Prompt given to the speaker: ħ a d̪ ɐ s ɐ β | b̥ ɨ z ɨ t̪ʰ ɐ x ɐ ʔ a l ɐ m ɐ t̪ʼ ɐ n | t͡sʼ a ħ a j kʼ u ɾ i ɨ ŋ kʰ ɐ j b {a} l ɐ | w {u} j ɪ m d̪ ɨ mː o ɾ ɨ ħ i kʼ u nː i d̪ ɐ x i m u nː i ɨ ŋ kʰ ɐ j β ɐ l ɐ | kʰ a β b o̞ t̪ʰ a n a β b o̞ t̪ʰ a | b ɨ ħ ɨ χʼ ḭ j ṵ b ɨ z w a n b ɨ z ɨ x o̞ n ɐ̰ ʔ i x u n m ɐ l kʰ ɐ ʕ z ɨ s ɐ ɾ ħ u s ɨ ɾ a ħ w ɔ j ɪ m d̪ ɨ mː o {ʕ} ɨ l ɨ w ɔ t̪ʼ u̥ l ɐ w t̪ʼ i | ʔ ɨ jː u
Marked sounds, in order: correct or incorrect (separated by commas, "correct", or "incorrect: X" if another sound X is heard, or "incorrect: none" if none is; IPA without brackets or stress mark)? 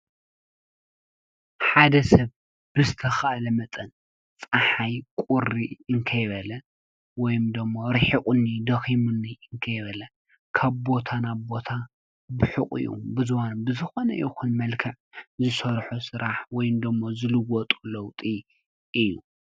incorrect: ɐ, incorrect: ɔ, incorrect: z